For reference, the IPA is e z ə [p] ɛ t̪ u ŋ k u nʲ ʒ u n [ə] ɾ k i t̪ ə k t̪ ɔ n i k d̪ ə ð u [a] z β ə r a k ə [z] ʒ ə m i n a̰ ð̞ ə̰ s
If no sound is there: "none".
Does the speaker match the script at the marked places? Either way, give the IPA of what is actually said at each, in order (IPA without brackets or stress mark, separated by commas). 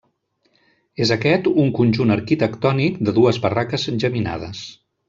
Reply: k, ə, ə, z